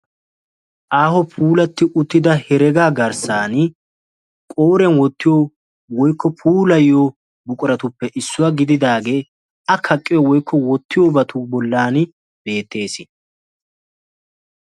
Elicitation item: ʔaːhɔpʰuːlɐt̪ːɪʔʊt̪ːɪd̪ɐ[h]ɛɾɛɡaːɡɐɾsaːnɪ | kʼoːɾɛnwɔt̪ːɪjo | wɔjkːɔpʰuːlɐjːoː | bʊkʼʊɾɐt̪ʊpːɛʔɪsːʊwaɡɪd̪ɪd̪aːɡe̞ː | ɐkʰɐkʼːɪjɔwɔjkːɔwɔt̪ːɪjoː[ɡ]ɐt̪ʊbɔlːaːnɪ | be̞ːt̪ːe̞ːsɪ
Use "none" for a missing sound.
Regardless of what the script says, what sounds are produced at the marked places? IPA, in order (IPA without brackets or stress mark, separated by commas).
h, b